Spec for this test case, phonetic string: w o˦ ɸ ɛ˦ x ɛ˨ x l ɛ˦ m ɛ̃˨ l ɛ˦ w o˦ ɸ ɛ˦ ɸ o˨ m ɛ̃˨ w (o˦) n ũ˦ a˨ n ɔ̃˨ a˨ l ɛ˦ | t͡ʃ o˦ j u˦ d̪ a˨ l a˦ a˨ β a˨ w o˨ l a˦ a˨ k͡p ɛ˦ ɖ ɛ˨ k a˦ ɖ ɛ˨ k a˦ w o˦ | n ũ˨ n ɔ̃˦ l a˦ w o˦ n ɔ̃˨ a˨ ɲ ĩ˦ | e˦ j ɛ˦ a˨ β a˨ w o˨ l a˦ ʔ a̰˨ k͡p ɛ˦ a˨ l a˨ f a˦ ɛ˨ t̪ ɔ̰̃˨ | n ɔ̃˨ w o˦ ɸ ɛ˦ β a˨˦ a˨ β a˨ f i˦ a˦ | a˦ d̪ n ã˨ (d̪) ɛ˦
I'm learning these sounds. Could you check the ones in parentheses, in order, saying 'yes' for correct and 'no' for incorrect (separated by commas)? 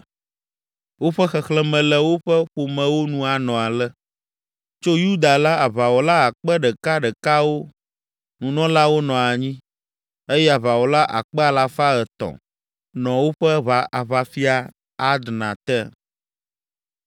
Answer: yes, no